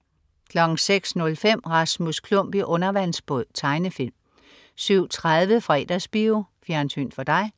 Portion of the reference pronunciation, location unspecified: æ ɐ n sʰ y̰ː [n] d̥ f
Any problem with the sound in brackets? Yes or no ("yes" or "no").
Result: no